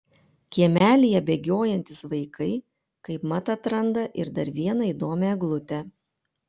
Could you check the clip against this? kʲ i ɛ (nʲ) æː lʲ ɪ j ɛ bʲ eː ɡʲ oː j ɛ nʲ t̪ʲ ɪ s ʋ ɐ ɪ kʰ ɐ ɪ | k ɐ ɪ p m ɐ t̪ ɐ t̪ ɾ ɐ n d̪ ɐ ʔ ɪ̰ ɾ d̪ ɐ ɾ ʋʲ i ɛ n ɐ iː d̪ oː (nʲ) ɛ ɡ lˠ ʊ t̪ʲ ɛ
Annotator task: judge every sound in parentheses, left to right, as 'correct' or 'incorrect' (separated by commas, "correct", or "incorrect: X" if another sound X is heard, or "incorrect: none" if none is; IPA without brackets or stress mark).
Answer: incorrect: mʲ, incorrect: mʲ